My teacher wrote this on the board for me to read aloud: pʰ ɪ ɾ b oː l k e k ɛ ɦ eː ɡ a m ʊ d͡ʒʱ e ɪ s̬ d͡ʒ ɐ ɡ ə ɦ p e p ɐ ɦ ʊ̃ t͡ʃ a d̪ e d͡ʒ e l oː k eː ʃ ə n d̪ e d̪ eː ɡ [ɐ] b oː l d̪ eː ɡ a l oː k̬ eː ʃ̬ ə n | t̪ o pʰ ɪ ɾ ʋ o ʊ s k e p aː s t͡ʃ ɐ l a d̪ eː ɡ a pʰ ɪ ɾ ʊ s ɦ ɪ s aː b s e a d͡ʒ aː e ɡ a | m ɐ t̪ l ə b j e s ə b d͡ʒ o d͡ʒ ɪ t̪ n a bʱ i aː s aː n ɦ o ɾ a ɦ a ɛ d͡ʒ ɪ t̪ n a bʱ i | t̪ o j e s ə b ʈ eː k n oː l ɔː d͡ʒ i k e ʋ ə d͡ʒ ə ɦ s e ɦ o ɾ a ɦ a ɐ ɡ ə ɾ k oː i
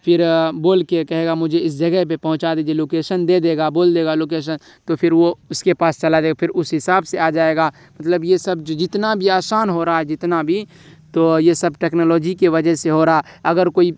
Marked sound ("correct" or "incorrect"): incorrect